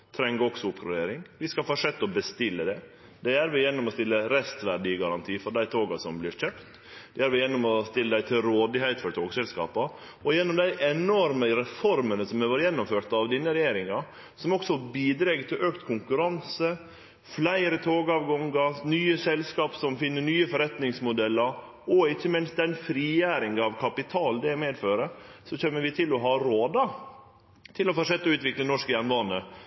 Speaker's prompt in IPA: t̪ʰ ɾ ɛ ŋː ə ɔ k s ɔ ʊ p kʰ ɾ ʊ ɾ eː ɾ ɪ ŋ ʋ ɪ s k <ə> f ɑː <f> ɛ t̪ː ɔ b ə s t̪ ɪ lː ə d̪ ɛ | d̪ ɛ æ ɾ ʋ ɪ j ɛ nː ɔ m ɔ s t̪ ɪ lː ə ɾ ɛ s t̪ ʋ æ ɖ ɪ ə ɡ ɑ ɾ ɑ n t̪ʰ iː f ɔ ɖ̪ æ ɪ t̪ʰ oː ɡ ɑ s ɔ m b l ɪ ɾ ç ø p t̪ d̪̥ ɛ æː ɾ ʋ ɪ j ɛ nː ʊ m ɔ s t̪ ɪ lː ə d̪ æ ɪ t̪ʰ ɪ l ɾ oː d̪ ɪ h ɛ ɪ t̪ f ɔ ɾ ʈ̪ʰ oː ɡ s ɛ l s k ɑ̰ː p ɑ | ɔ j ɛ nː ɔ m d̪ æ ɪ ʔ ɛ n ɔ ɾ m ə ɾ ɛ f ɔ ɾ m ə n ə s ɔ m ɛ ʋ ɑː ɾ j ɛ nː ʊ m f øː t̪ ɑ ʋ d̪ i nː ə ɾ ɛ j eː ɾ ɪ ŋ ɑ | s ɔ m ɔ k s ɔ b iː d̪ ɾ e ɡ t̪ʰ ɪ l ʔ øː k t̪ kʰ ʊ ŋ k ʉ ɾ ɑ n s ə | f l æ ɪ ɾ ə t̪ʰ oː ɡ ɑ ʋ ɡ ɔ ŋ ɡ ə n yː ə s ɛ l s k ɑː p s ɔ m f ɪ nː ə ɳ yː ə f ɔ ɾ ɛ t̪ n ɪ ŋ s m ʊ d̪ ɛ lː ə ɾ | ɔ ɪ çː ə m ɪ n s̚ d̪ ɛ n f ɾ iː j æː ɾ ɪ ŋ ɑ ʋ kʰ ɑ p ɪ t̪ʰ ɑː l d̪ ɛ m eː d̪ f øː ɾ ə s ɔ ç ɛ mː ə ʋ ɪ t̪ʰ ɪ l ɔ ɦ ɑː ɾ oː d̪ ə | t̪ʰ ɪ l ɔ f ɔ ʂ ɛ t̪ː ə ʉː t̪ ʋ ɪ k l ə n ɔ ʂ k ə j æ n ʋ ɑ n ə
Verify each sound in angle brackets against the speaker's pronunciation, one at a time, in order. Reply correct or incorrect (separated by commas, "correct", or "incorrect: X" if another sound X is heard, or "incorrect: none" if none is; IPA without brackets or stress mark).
incorrect: ɑ, incorrect: ʂ